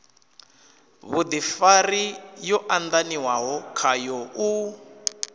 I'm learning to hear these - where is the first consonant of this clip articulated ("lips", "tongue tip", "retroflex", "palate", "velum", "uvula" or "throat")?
lips